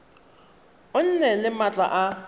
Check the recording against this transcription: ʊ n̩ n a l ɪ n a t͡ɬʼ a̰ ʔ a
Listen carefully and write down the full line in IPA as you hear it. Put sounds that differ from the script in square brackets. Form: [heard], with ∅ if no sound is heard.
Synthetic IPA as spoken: ʊ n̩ n [ɛ] l ɪ [m] a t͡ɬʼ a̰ ʔ a